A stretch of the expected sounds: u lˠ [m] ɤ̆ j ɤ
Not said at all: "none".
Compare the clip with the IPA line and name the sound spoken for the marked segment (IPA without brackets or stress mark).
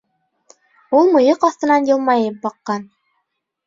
m